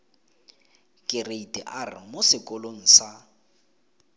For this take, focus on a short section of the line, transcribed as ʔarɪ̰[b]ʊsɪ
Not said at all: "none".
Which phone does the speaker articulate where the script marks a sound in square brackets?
m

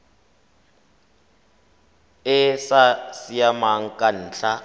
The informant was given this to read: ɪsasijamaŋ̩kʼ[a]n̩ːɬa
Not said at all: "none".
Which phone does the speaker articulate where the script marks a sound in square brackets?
a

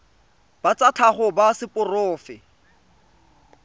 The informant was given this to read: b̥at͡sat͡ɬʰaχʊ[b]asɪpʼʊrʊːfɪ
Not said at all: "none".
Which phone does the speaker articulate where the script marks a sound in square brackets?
b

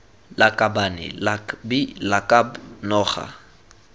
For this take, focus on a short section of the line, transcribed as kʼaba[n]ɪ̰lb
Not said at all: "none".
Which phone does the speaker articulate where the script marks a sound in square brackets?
n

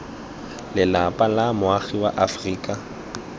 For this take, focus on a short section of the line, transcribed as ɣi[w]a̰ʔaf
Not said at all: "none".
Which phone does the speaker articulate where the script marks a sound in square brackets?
w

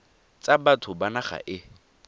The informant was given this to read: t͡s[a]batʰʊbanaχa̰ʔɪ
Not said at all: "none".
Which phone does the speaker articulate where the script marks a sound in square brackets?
a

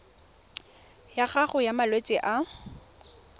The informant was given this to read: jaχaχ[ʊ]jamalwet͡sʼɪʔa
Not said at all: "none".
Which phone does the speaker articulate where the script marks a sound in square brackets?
ʊ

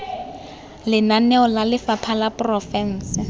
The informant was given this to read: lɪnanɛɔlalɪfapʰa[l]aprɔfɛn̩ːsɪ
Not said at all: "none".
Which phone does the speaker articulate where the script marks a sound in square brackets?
l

